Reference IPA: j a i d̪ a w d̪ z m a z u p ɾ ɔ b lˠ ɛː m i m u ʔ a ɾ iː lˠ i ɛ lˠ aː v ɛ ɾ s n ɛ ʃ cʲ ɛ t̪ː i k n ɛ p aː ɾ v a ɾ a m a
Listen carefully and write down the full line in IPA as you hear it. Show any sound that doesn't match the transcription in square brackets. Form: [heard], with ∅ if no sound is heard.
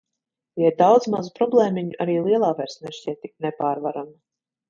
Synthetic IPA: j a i d̪ a w d̪ z m a z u p ɾ ɔ b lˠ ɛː m i [ɲ] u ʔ a ɾ iː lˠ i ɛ lˠ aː v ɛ ɾ s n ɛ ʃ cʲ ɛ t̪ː i k n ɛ p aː ɾ v a ɾ a m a